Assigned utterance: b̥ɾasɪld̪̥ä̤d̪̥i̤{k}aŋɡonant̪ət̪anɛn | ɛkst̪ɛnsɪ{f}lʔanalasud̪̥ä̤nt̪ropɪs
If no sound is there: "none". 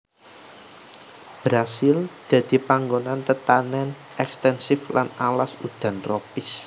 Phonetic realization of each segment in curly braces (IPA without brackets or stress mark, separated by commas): p, f